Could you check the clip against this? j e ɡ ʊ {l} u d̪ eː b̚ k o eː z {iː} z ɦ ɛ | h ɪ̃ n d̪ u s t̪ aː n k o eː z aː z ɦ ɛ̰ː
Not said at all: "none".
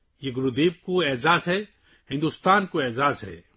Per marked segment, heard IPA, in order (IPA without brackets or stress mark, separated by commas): ɾ, aː